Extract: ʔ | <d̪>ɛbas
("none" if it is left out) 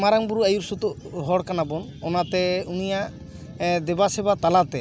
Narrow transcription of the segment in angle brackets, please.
d̪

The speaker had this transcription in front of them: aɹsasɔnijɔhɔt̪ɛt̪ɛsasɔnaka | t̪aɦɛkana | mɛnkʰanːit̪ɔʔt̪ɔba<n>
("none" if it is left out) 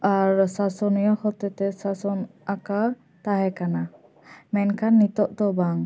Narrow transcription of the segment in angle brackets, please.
ŋ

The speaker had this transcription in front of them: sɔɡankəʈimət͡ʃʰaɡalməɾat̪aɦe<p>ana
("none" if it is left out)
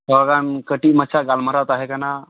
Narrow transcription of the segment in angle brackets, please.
k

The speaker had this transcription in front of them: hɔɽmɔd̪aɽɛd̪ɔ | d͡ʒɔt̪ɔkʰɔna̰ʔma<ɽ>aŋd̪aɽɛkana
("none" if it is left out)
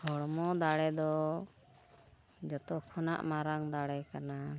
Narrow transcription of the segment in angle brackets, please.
ɾ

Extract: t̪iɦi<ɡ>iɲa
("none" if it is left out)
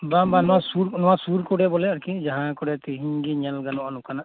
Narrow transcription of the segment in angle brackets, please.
ɡ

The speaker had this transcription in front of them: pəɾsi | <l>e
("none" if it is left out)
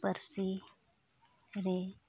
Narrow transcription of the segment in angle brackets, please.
ɾ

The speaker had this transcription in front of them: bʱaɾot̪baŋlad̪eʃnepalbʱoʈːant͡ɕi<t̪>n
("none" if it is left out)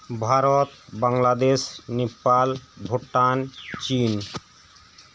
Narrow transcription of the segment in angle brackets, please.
none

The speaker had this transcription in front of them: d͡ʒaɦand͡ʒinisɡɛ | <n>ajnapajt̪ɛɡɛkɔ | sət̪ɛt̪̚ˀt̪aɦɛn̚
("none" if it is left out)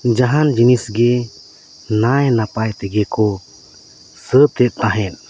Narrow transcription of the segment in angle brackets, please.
n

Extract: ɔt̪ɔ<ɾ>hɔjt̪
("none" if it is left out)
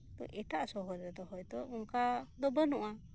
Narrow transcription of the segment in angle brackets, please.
none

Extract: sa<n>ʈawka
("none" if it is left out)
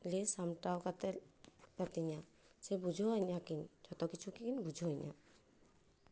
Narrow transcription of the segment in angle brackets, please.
m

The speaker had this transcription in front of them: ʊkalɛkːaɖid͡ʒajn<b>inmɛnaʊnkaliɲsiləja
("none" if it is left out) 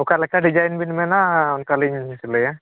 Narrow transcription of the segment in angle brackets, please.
b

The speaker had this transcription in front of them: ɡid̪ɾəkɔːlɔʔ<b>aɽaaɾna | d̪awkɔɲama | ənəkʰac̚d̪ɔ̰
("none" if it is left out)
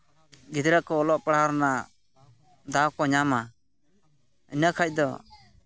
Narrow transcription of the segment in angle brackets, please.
p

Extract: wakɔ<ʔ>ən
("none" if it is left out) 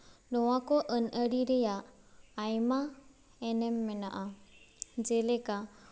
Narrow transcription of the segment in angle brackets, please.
ʔ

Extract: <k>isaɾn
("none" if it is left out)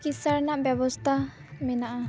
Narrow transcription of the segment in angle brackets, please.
k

